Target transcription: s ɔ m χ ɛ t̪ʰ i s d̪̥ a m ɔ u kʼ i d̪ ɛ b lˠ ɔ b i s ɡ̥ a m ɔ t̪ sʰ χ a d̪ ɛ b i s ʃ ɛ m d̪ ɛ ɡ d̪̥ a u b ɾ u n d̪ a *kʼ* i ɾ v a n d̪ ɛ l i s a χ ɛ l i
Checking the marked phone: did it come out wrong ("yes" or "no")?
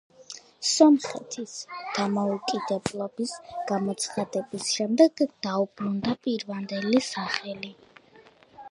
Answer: yes